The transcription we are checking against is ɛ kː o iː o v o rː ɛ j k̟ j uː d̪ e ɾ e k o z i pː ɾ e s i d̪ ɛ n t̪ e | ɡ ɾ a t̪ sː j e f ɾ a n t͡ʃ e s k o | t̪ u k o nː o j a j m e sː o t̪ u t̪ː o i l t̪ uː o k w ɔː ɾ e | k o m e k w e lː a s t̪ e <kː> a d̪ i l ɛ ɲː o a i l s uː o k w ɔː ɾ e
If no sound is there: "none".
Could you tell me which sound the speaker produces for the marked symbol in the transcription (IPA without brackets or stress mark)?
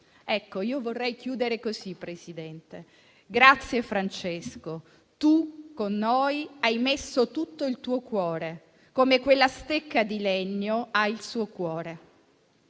kː